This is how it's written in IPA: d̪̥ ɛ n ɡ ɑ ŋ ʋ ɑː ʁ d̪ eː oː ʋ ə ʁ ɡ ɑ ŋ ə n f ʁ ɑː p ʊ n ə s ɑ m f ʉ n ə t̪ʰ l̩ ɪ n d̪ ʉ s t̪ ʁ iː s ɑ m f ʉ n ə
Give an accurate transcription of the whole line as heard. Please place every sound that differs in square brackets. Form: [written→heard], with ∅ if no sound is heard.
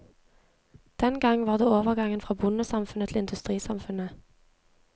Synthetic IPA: d̪̥ ɛ n ɡ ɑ ŋ ʋ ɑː ʁ d̪ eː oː ʋ ə ʁ ɡ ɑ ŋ ə n f ʁ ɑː [p→b] ʊ n ə s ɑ m f ʉ n ə t̪ʰ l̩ ɪ n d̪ ʉ s t̪ ʁ iː s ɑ m f ʉ n ə